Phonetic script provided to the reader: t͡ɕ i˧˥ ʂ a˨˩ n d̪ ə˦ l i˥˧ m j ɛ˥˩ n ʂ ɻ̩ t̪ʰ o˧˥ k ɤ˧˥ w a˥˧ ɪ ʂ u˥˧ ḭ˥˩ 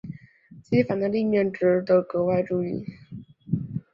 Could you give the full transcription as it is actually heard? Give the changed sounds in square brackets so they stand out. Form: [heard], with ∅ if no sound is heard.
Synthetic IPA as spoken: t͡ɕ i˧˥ [f] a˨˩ n d̪ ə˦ l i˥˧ m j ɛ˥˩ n [ʈ͡ʂ] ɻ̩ [t̪] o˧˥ k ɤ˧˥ w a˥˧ ɪ [ʈ͡ʂ] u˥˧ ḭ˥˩